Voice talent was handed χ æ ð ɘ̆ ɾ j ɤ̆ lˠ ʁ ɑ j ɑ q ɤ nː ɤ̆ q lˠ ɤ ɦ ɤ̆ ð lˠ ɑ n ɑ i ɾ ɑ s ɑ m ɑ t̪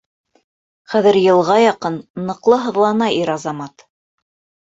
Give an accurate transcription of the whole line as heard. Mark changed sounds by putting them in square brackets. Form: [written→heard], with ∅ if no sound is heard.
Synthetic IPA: χ æ ð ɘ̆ ɾ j ɤ̆ lˠ ʁ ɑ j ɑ q ɤ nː ɤ̆ q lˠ ɤ ɦ ɤ̆ ð lˠ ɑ n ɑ i ɾ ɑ [s→z] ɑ m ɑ t̪

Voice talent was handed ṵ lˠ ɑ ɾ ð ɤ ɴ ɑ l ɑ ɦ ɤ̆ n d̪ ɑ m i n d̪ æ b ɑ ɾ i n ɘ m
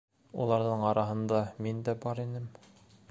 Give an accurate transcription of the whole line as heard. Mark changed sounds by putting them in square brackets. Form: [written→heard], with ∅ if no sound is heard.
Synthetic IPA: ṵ lˠ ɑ ɾ ð ɤ ɴ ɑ [l→ɾ] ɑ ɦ ɤ̆ n d̪ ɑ m i n d̪ æ b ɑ ɾ i n ɘ m

